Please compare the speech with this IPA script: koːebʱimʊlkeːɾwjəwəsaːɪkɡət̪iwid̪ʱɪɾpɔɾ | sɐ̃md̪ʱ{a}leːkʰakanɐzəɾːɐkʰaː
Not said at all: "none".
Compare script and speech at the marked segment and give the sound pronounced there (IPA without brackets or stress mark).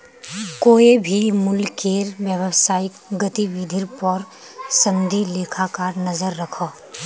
i